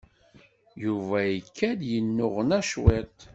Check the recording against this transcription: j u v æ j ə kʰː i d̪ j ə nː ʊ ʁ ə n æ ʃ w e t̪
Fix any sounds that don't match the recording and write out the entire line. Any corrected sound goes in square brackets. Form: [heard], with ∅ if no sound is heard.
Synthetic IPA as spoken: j u v æ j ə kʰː [æ] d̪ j ə nː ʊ ʁ ə n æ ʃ w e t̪